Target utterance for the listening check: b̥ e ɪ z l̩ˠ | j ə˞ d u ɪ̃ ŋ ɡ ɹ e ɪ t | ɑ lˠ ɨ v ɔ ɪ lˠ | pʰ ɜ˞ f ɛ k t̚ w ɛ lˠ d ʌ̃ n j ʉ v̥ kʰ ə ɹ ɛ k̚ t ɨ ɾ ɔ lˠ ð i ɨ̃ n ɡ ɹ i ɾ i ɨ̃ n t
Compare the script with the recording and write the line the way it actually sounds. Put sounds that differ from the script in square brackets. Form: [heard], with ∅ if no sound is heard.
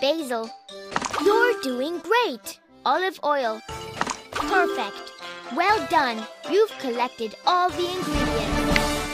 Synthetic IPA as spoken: b̥ e ɪ z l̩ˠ | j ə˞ d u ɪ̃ ŋ ɡ ɹ e ɪ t | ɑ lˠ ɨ v ɔ ɪ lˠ | pʰ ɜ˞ f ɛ k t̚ w ɛ lˠ d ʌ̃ n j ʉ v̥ kʰ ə [l] ɛ k̚ t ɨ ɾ ɔ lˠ ð i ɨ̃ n ɡ ɹ i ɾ i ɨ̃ n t

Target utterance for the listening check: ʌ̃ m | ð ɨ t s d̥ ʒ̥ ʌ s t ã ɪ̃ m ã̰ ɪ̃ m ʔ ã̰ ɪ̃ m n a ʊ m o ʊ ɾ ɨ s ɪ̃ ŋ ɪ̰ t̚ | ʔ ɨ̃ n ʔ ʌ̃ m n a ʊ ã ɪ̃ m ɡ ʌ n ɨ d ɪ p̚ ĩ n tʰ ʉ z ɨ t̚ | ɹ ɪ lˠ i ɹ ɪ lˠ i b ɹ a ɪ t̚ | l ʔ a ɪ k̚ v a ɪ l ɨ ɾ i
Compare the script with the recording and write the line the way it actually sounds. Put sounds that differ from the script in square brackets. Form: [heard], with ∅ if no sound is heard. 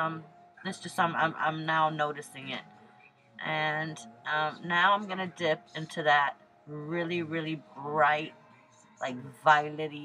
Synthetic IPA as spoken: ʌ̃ m | ð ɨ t s d̥ ʒ̥ ʌ s t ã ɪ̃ m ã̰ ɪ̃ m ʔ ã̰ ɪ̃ m n a ʊ [n] o ʊ ɾ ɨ s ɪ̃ ŋ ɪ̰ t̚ | ʔ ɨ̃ n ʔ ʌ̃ m n a ʊ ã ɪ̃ m ɡ ʌ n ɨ d ɪ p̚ [ɪ̃] n tʰ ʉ [ð] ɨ t̚ | ɹ ɪ lˠ i ɹ ɪ lˠ i b ɹ a ɪ t̚ | l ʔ a ɪ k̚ v a ɪ l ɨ ɾ i

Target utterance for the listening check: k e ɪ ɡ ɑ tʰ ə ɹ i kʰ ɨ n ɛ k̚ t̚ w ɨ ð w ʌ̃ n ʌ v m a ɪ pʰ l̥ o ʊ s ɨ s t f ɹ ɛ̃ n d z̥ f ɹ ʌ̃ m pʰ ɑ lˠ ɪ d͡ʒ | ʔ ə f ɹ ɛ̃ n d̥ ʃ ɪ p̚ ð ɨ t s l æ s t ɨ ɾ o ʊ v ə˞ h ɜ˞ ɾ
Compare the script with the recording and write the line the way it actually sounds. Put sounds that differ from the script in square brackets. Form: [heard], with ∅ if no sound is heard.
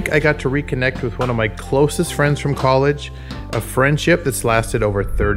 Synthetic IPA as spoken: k [a] ɪ ɡ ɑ tʰ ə ɹ i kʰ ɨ n ɛ k̚ t̚ w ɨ ð w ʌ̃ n ʌ v m a ɪ [kʰ] l̥ o ʊ s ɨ s t f ɹ ɛ̃ n d z̥ f ɹ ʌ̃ m [kʰ] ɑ lˠ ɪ d͡ʒ | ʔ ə f ɹ ɛ̃ n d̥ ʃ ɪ p̚ ð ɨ t s l æ s t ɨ ɾ o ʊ v ə˞ [θ] ɜ˞ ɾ

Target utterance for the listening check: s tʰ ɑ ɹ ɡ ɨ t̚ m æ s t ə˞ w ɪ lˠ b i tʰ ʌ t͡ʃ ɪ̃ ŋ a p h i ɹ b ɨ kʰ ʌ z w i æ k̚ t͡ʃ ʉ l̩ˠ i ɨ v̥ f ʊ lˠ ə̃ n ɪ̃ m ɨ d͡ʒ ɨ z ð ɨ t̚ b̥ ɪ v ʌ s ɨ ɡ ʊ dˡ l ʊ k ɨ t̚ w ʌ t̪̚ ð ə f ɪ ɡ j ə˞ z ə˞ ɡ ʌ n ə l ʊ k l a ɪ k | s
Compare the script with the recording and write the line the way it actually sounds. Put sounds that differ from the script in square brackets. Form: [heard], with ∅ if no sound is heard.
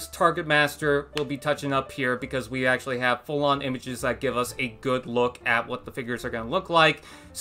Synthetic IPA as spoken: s tʰ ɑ ɹ ɡ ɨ t̚ m æ s t ə˞ w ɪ lˠ b i tʰ ʌ t͡ʃ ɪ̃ ŋ [ʌ] p h i ɹ b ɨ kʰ ʌ z w i æ k̚ t͡ʃ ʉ l̩ˠ i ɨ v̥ f ʊ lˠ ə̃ n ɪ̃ m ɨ d͡ʒ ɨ z ð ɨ t̚ [ɡ̥] ɪ v ʌ s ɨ ɡ ʊ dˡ l ʊ k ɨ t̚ w ʌ t̪̚ ð ə f ɪ ɡ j ə˞ z ə˞ ɡ ʌ n ə l ʊ k l a ɪ k | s

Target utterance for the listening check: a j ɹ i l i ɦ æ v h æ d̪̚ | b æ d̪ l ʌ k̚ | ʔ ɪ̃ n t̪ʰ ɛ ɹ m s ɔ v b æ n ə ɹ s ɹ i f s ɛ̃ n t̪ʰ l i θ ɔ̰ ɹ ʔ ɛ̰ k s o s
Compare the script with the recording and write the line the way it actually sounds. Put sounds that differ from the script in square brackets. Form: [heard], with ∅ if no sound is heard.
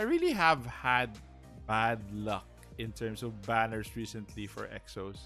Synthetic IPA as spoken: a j ɹ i l i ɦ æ v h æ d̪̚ | b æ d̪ l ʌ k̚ | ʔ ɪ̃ n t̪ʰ ɛ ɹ m s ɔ v b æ n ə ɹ s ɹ i [∅] s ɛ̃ n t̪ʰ l i [f] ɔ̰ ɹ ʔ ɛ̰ k s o s

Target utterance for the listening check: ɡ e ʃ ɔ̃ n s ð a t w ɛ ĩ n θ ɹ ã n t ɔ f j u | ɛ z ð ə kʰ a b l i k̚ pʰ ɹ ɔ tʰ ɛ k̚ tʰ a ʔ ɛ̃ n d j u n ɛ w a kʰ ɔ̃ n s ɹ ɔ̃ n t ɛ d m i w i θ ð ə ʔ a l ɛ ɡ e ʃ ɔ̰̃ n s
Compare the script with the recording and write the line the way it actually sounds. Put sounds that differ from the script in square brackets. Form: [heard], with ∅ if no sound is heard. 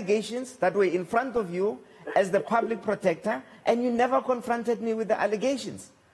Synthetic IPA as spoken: ɡ e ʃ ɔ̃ n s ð a t w ɛ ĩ n [f] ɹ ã n t ɔ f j u | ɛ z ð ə [pʰ] a b l i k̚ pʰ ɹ ɔ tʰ ɛ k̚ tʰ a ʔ ɛ̃ n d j u n ɛ [v] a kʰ ɔ̃ n [f] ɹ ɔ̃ n t ɛ d m i w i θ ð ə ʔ a l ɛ ɡ e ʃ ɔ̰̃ n s

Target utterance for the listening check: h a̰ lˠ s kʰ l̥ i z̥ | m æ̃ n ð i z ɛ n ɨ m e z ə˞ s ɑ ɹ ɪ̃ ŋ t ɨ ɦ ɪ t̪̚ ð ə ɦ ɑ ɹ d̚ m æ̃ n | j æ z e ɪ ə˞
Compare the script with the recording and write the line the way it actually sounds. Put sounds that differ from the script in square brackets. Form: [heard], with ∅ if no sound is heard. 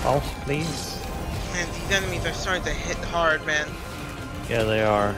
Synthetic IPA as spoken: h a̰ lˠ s [pʰ] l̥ i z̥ | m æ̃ n ð i z ɛ n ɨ m [i] z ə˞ s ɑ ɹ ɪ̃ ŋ t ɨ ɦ ɪ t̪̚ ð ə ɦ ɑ ɹ d̚ m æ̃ n | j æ [ð] e ɪ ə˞

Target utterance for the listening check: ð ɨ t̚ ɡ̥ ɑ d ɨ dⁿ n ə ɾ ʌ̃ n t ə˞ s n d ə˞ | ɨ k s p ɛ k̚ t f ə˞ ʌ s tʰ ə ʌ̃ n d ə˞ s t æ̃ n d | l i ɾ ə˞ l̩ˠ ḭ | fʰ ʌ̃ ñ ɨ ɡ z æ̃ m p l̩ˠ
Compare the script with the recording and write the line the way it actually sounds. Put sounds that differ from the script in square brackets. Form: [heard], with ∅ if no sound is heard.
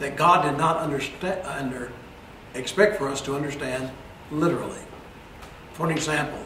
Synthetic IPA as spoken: ð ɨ t̚ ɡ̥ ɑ d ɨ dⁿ n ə ɾ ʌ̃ n [d] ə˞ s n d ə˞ | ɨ k s p ɛ k̚ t f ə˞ ʌ s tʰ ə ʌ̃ n d ə˞ s t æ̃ n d | l [ɪ] ɾ ə˞ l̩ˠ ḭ | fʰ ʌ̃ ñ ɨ ɡ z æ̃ m p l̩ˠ

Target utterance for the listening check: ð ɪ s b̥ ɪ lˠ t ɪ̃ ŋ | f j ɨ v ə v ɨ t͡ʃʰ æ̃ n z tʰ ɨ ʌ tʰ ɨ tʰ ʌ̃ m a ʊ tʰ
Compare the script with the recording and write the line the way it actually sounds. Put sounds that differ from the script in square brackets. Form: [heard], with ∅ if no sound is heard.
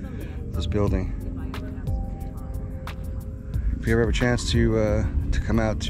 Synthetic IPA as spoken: ð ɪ s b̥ ɪ lˠ [d] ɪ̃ ŋ | f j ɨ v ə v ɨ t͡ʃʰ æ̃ n [s] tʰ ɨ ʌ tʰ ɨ [kʰ] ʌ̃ m a ʊ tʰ

